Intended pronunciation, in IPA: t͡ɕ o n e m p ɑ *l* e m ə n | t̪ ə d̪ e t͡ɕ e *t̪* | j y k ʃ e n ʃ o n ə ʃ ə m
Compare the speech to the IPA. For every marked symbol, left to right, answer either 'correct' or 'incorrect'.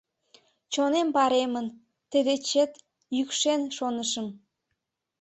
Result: incorrect, correct

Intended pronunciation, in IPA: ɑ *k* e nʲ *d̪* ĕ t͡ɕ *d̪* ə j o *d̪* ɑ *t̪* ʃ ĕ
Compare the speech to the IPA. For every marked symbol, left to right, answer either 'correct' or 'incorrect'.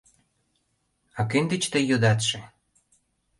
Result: correct, correct, incorrect, correct, correct

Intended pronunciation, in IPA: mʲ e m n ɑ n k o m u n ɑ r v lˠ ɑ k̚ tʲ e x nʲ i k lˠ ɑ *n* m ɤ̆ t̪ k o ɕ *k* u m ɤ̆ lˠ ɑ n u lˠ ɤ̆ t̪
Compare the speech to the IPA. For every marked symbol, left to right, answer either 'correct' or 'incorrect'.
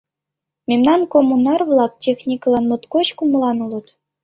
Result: correct, correct

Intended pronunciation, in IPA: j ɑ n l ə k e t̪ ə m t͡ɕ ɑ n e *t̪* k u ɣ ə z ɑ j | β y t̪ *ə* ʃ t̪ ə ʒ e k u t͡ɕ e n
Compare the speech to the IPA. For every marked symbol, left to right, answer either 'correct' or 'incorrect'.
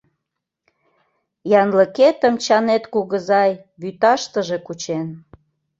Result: correct, incorrect

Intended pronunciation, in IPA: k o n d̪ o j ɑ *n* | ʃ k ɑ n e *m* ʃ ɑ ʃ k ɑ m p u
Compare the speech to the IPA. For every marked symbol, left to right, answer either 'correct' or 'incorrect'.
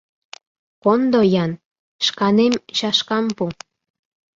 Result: correct, correct

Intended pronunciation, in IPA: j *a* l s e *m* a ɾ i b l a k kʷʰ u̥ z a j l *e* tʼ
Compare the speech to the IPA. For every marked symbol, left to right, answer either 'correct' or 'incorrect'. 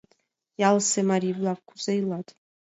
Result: correct, correct, incorrect

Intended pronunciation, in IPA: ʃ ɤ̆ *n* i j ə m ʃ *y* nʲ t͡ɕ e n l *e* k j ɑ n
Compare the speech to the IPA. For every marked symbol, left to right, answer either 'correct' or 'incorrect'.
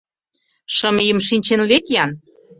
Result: incorrect, incorrect, correct

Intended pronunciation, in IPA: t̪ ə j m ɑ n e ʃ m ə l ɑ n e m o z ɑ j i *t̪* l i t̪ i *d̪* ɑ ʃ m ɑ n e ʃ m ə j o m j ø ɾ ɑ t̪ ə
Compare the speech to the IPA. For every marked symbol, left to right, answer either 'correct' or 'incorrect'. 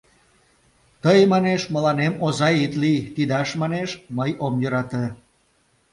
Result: correct, correct

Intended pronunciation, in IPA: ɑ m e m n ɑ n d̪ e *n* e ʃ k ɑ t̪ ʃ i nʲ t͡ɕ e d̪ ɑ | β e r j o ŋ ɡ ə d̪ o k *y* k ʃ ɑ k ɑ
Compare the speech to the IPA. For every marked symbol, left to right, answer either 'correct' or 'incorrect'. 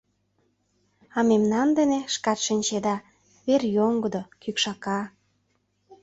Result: correct, correct

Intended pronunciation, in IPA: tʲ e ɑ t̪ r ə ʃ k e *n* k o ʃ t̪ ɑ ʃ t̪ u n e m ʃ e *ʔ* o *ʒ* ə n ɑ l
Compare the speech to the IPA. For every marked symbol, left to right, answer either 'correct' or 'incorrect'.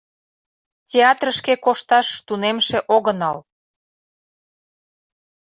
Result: incorrect, correct, incorrect

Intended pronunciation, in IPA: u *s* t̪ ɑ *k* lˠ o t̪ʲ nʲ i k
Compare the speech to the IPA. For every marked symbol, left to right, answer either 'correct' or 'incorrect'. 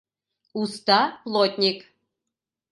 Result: correct, incorrect

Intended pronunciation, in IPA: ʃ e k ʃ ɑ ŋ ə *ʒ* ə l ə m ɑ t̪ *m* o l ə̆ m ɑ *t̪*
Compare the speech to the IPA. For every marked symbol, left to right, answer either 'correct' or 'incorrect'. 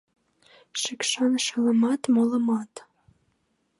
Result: incorrect, correct, correct

